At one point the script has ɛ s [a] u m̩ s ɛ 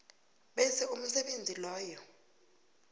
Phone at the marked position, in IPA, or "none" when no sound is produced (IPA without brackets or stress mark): ɛ